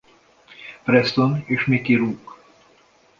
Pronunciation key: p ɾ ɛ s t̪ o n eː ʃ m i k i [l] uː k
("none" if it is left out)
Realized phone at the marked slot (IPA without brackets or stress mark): ɾ